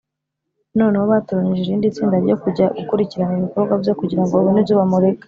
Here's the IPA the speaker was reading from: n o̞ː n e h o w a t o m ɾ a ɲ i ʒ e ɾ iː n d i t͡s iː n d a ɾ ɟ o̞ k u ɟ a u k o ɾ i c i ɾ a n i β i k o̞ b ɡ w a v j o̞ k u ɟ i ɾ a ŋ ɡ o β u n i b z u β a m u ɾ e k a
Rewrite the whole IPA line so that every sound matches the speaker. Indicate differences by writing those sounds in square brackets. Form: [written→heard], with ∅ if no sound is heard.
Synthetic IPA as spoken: n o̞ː n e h o [w→β] a t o [m→∅] ɾ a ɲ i ʒ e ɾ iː n d i t͡s iː n d a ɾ ɟ o̞ k u ɟ a u k [o→u] ɾ i c i ɾ a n i β i k o̞ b ɡ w a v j o̞ k u ɟ i ɾ a ŋ ɡ o β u n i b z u β a m u ɾ e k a